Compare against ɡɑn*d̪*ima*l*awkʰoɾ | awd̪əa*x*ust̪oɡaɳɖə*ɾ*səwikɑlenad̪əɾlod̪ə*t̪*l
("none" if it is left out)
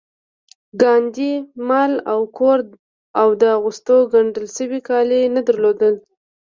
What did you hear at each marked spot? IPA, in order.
d̪, l, ɣ, l, none

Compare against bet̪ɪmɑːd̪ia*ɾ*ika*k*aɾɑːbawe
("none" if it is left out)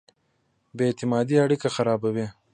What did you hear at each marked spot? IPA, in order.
ɽ, x

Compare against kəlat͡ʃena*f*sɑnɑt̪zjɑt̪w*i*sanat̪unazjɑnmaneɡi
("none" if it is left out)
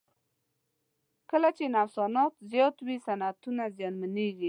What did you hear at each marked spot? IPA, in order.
f, i

